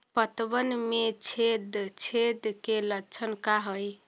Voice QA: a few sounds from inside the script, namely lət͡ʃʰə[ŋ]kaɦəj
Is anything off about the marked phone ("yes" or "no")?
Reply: yes